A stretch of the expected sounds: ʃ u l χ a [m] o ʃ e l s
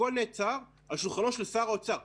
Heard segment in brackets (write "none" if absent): n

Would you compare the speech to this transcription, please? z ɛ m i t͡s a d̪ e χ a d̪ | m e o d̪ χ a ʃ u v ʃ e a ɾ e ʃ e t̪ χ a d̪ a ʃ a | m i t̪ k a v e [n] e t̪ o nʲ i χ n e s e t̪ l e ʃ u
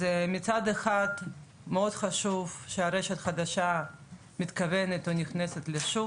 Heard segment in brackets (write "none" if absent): n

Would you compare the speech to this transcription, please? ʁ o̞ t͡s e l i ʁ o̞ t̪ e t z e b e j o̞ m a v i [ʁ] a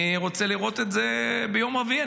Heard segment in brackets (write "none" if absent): none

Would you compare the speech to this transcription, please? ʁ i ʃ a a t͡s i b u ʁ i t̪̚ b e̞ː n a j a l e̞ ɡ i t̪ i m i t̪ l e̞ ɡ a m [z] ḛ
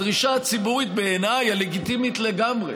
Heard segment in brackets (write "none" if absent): ʁ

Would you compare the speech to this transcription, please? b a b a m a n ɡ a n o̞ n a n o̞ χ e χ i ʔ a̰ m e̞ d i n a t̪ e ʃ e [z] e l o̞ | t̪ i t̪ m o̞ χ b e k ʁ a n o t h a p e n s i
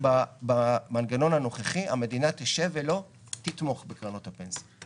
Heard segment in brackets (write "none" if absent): v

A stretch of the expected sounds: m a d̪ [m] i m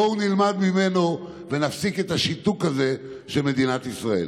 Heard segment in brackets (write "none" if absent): m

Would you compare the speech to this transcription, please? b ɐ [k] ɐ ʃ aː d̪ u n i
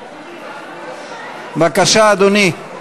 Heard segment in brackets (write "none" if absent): k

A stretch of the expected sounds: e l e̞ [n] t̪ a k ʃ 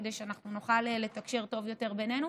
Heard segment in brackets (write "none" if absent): none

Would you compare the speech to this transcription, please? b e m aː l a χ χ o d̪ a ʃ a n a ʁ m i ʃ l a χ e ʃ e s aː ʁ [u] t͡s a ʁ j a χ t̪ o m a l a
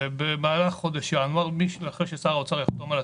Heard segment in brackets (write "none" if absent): o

